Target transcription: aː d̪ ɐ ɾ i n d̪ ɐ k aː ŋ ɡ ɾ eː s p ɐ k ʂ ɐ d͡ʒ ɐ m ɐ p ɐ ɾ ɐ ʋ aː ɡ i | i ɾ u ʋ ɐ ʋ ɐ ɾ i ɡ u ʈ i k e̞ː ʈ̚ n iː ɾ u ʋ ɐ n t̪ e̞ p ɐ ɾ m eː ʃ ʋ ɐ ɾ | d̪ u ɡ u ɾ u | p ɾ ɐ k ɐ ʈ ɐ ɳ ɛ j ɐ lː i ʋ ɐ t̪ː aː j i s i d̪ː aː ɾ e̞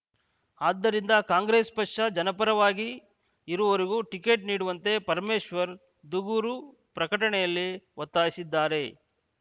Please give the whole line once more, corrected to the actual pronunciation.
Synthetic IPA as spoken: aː d̪ː ɐ ɾ i n d̪ ɐ k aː ŋ ɡ ɾ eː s p ɐ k ʂ ɐ d͡ʒ ɐ n ɐ p ɐ ɾ ɐ ʋ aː ɡ i | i ɾ u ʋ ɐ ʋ ɐ ɾ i ɡ u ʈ i k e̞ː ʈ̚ n iː ɽ u ʋ ɐ n t̪ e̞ p ɐ ɾ m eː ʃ ʋ ɐ ɾ | d̪ u ɡ u ɾ u | p ɾ ɐ k ɐ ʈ ɐ ɳ ɛ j ɐ lː i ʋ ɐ t̪ː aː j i s i d̪ː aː ɾ e̞